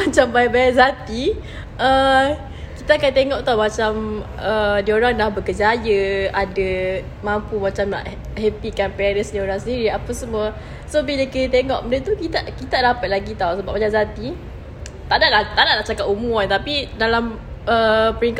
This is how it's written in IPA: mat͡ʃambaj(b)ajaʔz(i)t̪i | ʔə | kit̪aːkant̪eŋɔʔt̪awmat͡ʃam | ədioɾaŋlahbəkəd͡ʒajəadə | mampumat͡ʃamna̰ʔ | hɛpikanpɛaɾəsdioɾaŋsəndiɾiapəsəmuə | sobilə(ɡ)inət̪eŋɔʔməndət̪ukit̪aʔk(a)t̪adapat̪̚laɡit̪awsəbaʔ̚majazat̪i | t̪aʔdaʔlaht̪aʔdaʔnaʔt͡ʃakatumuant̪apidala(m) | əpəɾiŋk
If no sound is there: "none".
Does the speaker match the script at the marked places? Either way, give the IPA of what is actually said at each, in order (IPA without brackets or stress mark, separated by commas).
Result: b, a, k, i, m